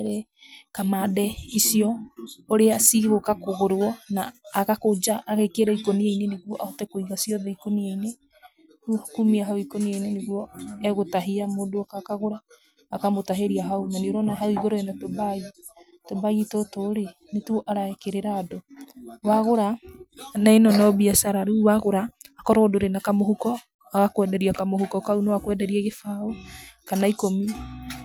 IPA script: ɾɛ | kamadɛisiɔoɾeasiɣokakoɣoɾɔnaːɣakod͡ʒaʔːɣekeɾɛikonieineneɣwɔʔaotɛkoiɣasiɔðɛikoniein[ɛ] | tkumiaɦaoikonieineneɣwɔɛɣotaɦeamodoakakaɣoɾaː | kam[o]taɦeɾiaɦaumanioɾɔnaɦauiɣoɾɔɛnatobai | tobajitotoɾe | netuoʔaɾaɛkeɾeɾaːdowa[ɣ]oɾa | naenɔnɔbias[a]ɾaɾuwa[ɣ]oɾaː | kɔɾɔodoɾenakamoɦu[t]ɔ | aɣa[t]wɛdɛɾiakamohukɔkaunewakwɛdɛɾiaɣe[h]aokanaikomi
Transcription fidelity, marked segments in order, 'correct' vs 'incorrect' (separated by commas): incorrect, correct, correct, correct, correct, incorrect, incorrect, incorrect